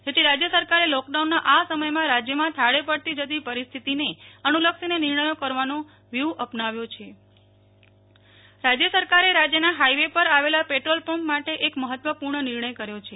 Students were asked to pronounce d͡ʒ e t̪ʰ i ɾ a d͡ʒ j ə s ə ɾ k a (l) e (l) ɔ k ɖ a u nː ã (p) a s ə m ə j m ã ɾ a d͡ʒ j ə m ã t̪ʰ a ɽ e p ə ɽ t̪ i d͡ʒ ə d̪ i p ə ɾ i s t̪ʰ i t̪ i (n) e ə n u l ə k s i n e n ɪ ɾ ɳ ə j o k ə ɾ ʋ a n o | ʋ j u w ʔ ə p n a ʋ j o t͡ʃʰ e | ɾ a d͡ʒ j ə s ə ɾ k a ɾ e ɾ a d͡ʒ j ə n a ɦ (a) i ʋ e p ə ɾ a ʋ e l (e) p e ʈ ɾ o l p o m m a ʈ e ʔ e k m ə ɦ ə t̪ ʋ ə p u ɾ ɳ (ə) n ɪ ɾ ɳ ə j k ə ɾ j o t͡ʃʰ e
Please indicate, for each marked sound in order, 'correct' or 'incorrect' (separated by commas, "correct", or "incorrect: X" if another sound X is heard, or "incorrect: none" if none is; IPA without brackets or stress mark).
incorrect: ɾ, correct, incorrect: ʔ, correct, correct, incorrect: a, correct